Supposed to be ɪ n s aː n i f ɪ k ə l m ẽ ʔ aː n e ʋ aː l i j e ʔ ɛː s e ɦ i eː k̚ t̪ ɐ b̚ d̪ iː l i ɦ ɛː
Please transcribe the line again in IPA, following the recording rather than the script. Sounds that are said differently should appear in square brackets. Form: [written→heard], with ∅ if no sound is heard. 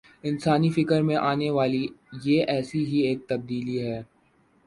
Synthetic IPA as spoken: ɪ n s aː n i f ɪ k ə [l→ɾ] m ẽ ʔ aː n e ʋ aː l i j e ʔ ɛː s [e→i] ɦ i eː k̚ t̪ ɐ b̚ d̪ iː l i ɦ ɛː